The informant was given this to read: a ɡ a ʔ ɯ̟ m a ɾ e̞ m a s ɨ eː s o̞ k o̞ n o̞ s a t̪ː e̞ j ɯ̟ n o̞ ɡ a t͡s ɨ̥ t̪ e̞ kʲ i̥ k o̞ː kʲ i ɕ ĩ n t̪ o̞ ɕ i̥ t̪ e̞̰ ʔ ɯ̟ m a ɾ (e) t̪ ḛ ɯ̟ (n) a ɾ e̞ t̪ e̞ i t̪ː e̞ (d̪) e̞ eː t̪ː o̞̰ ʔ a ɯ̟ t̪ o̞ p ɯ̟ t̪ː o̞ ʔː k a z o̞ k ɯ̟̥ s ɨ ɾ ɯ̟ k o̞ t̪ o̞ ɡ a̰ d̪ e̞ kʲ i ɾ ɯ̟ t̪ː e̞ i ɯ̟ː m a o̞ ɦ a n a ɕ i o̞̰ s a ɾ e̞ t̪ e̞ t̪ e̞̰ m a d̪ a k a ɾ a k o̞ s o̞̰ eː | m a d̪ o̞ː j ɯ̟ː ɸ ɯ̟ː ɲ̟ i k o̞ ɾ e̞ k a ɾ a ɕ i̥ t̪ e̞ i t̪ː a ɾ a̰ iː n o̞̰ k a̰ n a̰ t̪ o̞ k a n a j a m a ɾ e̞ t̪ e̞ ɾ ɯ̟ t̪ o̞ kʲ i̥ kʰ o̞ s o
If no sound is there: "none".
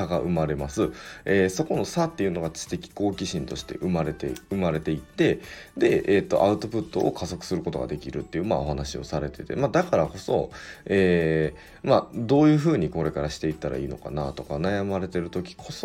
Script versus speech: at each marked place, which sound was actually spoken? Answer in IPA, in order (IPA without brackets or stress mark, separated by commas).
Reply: e, m, d̪